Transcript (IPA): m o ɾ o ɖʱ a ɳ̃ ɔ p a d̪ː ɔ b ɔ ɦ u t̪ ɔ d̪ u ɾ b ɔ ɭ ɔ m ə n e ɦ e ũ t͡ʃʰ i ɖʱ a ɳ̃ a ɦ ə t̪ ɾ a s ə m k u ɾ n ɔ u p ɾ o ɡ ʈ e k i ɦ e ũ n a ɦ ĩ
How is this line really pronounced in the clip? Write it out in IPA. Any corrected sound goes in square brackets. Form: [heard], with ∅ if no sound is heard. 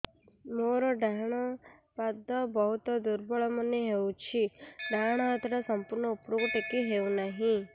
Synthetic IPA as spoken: m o ɾ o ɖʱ a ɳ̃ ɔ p a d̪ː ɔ b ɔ ɦ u t̪ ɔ d̪ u ɾ b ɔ ɭ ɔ m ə n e ɦ e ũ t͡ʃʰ i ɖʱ a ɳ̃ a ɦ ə t̪ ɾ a s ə m [p] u ɾ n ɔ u p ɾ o ɡ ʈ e k i ɦ e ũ n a ɦ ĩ